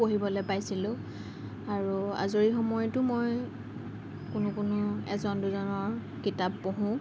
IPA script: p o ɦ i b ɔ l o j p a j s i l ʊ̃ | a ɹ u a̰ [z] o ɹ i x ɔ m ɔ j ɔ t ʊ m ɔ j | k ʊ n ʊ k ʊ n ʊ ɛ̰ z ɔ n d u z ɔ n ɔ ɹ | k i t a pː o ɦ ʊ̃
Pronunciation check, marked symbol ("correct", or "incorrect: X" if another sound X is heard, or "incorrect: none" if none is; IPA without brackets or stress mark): correct